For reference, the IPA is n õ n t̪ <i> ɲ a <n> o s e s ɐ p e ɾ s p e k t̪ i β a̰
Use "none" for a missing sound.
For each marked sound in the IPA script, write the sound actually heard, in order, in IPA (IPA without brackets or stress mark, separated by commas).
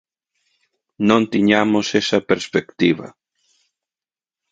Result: i, m